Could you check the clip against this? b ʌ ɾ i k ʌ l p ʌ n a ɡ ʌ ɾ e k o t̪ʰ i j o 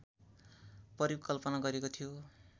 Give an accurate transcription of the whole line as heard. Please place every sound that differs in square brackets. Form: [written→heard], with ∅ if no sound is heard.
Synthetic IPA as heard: [b→p] ʌ ɾ i k ʌ l p ʌ n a ɡ ʌ ɾ e k o t̪ʰ i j o